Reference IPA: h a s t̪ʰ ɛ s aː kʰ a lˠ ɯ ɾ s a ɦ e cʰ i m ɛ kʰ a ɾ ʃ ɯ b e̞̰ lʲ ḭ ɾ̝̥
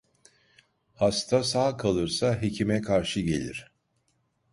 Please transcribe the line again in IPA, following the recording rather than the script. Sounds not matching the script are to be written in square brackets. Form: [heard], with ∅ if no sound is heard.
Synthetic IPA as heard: h a s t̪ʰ [a] s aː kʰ a lˠ ɯ ɾ s a ɦ e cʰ i m ɛ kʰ a ɾ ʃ ɯ [ɟ] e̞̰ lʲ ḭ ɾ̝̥